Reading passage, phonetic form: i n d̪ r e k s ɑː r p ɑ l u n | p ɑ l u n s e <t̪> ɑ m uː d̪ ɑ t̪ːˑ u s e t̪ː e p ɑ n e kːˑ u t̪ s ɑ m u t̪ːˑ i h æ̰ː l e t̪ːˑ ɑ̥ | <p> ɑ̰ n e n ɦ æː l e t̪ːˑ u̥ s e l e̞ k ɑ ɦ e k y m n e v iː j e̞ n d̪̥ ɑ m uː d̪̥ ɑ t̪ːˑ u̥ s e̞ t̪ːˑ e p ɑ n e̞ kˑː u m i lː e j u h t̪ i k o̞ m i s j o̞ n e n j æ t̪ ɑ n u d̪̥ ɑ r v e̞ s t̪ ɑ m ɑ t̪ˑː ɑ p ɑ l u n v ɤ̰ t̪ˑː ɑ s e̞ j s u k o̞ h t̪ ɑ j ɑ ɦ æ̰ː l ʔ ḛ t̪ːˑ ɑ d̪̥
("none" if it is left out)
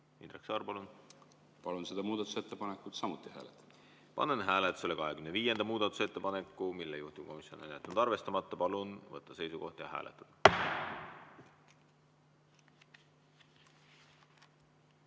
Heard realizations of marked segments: d̪, p

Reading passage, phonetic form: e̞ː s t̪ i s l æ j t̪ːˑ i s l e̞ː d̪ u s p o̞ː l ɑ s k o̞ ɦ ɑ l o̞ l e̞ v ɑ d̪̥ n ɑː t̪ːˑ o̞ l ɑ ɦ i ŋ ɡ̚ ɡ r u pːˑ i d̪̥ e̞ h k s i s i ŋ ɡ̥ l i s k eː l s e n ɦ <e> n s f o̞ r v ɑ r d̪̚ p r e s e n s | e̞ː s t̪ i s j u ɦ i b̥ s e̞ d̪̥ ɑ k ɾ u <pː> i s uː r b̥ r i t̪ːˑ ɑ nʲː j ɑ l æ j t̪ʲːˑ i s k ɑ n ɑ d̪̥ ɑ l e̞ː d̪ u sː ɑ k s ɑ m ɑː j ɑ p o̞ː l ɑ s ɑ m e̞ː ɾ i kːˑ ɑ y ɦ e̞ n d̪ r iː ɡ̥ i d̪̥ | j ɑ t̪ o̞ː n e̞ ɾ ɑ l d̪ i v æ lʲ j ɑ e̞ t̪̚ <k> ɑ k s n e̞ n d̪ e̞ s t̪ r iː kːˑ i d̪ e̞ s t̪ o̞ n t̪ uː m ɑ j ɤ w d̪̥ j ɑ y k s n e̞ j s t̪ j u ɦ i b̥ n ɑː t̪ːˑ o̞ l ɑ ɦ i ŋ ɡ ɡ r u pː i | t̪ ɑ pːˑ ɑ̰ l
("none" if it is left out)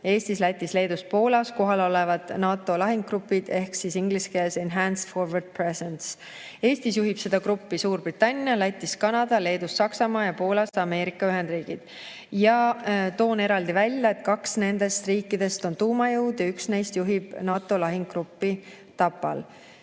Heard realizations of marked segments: æ, pː, k

